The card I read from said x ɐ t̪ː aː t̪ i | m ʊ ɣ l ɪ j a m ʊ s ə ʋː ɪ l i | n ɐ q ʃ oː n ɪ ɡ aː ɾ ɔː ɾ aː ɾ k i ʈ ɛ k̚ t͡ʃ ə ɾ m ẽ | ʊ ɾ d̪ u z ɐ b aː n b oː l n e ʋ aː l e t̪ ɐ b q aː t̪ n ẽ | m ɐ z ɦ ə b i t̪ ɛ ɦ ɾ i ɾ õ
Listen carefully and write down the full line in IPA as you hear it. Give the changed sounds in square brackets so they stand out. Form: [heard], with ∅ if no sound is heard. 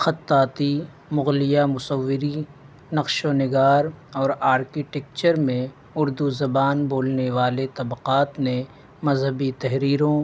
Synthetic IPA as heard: x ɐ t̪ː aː t̪ i | m ʊ ɣ l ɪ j a m ʊ s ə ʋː ɪ [ɾ] i | n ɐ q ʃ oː n ɪ ɡ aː ɾ ɔː ɾ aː ɾ k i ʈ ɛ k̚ t͡ʃ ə ɾ m ẽ | ʊ ɾ d̪ u z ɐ b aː n b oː l n e ʋ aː l e t̪ ɐ b q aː t̪ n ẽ | m ɐ z ɦ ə b i t̪ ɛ ɦ ɾ [iː] ɾ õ